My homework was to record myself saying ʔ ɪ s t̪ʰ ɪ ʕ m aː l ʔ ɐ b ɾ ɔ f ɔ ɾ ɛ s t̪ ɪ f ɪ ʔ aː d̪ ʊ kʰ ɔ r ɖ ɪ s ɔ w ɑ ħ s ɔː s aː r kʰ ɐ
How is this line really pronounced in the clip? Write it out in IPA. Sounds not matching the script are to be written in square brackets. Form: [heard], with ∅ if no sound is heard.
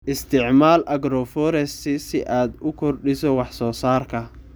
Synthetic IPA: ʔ ɪ s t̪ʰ ɪ ʕ m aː l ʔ ɐ [ɡ] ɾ ɔ f ɔ ɾ ɛ s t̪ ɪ [s] ɪ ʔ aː d̪ ʊ kʰ ɔ r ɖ ɪ s ɔ w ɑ ħ s ɔː s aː r kʰ ɐ